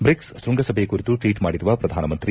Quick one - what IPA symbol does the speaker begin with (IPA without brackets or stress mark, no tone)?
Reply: b